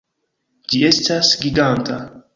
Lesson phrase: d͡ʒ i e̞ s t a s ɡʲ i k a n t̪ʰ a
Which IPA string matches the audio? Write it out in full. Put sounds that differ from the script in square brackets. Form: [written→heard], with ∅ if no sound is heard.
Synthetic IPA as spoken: d͡ʒ i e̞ s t a s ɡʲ i [k→ɡ] a n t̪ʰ a